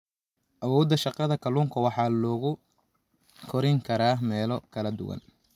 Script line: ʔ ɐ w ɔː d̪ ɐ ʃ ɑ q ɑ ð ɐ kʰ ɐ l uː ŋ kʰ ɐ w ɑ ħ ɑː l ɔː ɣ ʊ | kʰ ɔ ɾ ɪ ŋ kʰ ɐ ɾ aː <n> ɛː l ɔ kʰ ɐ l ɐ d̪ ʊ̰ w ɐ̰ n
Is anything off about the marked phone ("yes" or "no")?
yes